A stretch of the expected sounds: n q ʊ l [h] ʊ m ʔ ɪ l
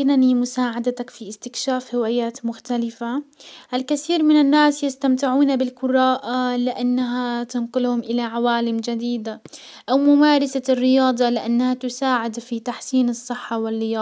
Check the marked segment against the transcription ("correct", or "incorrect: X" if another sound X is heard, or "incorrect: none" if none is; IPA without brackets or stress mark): correct